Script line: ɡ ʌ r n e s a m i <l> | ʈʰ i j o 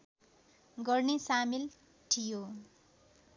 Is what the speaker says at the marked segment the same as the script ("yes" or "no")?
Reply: yes